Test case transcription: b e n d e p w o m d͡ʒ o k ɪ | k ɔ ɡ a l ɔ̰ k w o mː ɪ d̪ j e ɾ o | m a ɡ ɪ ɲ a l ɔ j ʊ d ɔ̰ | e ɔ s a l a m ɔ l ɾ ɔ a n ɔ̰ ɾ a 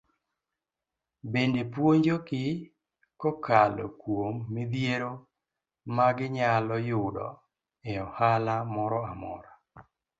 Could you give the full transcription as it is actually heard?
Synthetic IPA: b e n d e p w o ɲ d͡ʒ o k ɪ | k ɔ k a l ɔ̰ k w o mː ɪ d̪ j e ɾ o | m a ɡ ɪ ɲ a l ɔ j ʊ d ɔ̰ | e ɔ h a l a m ɔ ɾ ɔ a m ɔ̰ ɾ a